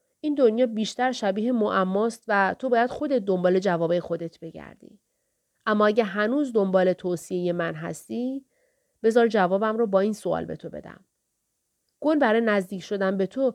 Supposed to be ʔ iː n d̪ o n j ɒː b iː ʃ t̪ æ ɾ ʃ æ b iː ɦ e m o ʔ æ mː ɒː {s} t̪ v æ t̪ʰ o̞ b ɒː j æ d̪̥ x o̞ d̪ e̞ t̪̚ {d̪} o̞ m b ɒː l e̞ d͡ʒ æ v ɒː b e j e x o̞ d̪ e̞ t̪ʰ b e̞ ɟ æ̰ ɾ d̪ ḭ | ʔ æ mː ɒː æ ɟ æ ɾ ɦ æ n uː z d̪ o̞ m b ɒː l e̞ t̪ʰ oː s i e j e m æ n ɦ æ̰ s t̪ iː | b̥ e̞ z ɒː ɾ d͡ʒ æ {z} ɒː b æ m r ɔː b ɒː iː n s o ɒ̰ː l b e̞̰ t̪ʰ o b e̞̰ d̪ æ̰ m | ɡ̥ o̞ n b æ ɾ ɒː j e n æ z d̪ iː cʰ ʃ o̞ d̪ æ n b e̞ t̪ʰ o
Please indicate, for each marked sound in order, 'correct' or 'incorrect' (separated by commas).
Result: correct, correct, incorrect